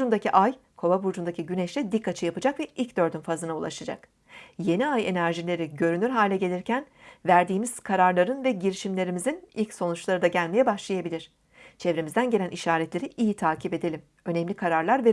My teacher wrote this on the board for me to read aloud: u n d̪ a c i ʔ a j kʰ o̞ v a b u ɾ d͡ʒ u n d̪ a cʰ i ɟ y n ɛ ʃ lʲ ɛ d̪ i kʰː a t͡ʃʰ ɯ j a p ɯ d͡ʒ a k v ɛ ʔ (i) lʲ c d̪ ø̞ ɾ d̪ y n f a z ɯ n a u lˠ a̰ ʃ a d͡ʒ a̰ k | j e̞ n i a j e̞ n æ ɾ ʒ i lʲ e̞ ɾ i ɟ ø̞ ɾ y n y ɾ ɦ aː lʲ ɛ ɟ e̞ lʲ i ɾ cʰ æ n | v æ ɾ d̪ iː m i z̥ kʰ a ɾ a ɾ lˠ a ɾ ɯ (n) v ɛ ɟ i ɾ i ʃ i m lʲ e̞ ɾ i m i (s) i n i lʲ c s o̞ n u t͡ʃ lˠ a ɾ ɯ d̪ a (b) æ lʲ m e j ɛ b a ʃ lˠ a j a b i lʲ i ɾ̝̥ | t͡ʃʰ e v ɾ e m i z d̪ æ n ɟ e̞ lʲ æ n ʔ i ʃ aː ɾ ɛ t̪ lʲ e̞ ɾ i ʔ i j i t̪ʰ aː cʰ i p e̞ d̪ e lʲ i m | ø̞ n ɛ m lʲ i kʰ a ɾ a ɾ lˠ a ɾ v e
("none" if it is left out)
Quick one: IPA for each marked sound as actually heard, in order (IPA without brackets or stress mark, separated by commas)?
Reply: i, n, z, ɟ